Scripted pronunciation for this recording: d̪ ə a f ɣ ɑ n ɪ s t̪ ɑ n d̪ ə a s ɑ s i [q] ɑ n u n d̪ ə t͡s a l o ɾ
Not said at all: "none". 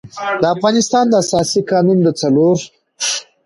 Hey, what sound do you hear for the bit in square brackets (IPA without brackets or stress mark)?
k